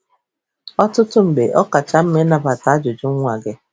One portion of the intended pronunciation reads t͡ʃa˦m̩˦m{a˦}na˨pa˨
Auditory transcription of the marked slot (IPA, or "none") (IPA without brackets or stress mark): e˦